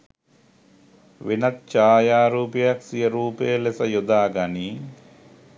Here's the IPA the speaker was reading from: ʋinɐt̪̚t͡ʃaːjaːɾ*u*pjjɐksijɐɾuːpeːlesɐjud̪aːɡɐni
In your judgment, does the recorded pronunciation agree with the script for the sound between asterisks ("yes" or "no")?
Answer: no